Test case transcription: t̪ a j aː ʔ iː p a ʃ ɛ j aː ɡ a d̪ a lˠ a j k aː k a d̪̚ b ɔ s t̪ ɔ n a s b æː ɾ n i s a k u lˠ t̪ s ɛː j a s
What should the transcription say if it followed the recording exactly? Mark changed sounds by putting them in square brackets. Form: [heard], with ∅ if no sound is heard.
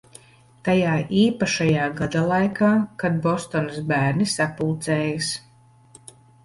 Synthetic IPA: t̪ a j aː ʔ iː p a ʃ [a] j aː ɡ a d̪ a lˠ a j k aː k a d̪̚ b ɔ s t̪ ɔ n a s b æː ɾ n i s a [p] u lˠ t̪ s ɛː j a s